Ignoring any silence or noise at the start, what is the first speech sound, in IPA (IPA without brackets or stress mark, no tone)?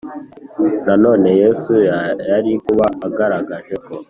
n